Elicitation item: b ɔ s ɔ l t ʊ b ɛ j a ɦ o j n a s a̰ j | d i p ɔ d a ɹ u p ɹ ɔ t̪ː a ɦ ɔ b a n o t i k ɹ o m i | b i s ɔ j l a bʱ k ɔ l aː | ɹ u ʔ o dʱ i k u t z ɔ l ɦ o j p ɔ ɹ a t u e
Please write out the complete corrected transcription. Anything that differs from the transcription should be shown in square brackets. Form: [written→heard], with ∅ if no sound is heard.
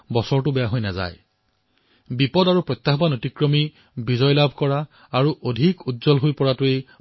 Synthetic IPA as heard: b ɔ s ɔ [l→ɹ] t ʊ b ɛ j a ɦ o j n a [s→z] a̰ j | [d→b] i p ɔ d a ɹ u p ɹ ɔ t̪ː a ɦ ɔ b a n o t i k ɹ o m i | b i [s→z] ɔ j l a bʱ k ɔ [l→ɹ] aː | ɹ u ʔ o dʱ i k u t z ɔ l ɦ o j p ɔ ɹ a t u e